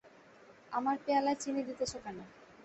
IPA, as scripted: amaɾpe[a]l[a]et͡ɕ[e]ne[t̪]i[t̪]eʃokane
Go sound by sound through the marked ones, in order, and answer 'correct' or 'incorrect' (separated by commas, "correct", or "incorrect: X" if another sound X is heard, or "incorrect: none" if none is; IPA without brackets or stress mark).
correct, correct, incorrect: i, incorrect: d̪, correct